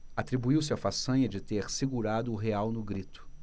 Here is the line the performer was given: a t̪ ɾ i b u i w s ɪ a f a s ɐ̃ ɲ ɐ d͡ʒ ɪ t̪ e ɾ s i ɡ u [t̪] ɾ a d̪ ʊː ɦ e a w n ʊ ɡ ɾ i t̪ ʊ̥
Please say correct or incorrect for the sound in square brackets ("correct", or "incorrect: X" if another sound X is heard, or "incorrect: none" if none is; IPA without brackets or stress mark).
incorrect: none